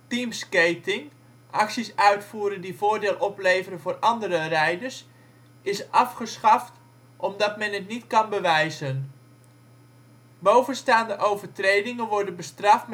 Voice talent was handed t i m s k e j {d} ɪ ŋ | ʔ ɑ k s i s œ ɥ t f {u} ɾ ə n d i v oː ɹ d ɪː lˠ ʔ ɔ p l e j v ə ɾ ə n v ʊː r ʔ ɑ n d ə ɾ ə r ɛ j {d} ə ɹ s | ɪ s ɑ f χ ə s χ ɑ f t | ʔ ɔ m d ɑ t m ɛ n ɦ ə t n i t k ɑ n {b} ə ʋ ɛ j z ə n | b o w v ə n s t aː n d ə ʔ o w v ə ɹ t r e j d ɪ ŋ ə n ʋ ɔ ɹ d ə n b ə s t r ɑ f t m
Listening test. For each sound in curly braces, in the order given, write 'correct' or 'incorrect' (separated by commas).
incorrect, incorrect, correct, correct